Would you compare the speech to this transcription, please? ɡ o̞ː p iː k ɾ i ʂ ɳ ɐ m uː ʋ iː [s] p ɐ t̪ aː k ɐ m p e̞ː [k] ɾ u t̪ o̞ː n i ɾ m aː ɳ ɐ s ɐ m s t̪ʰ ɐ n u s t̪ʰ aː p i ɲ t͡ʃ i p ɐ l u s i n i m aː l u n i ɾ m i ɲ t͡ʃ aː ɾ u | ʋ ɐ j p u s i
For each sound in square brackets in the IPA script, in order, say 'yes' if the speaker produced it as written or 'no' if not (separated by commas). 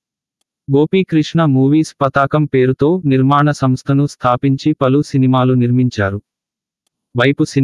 yes, no